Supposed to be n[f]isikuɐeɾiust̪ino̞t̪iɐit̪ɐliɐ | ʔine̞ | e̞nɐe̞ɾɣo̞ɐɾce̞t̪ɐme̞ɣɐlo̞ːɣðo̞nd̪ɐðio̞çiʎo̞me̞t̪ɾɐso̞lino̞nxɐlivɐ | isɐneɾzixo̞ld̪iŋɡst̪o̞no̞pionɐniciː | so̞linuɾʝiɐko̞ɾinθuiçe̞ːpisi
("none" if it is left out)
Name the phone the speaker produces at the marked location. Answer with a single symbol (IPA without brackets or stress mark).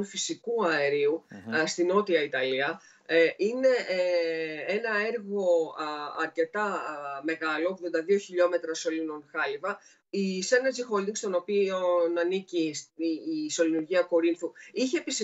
f